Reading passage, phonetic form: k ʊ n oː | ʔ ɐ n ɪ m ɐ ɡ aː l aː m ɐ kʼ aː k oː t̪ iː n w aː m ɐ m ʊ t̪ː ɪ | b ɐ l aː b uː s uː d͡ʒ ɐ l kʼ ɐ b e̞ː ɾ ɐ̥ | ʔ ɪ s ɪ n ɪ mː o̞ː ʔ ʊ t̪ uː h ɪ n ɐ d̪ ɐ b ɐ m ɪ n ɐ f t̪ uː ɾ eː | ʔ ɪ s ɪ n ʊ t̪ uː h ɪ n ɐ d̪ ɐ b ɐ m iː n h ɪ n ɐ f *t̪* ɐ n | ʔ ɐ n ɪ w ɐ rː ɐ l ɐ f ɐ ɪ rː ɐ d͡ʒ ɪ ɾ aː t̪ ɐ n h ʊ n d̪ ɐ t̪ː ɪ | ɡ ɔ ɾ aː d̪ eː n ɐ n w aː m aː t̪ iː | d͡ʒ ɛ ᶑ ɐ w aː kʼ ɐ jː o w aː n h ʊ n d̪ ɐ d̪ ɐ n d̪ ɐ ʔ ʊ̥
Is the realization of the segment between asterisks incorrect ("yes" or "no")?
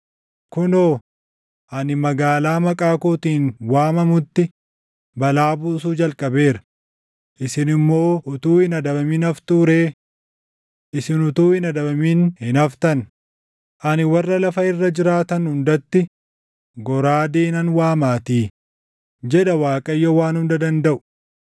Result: no